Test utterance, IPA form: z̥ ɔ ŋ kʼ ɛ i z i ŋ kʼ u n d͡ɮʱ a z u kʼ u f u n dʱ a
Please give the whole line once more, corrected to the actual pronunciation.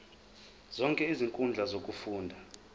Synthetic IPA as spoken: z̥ ɔ ŋ kʼ ɛ i z i ŋ kʼ u n d͡ɮʱ a z o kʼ u f uː n dʱ a